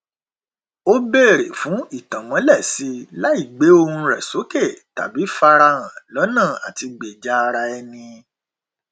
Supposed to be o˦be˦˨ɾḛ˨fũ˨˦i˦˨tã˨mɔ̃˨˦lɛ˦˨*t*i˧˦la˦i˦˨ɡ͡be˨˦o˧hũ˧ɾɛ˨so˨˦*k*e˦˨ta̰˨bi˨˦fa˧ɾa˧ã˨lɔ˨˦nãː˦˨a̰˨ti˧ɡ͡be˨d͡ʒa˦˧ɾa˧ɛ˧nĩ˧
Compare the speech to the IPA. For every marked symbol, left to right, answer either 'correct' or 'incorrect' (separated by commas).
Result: incorrect, correct